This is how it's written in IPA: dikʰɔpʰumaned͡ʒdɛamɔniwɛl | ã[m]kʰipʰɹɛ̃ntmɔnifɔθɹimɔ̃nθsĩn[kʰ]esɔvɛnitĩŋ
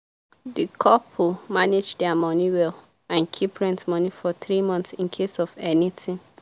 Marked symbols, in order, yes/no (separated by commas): no, yes